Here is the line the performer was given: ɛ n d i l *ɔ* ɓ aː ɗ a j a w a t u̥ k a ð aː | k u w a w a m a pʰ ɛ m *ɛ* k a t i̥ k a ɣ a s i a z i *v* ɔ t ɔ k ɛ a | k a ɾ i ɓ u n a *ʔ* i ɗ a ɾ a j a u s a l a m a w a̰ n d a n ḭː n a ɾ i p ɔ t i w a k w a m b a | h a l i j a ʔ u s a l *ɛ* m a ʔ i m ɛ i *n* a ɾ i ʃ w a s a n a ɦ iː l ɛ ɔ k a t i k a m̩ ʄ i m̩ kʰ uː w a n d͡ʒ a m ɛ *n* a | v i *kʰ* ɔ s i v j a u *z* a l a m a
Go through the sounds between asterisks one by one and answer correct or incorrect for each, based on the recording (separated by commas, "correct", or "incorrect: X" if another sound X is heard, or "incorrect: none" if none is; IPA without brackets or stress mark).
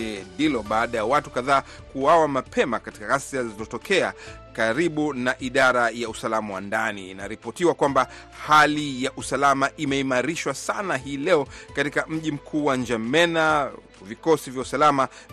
correct, incorrect: a, incorrect: z, correct, incorrect: a, incorrect: m, correct, incorrect: k, incorrect: s